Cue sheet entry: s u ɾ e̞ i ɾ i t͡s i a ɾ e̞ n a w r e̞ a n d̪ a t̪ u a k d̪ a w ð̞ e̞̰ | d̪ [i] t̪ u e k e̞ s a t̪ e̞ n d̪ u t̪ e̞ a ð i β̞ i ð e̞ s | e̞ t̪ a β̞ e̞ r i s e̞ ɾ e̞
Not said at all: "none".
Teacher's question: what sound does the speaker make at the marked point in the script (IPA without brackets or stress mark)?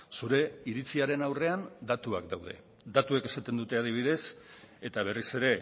a